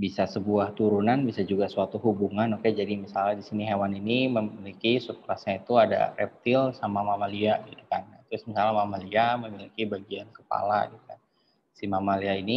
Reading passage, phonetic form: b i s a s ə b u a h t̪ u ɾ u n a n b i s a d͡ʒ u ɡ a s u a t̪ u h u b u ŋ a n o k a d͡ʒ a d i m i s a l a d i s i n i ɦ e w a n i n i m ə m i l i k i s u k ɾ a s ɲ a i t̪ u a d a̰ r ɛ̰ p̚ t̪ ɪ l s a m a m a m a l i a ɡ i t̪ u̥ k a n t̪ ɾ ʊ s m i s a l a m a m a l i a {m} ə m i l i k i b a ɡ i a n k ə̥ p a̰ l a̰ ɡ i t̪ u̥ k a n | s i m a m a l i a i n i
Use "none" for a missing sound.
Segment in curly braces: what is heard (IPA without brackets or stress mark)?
m